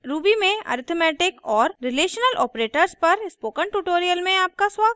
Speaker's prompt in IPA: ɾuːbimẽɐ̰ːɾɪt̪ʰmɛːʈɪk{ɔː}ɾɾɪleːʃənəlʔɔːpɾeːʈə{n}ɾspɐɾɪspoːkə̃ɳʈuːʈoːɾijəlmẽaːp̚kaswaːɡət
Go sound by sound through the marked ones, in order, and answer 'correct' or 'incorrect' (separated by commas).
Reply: correct, incorrect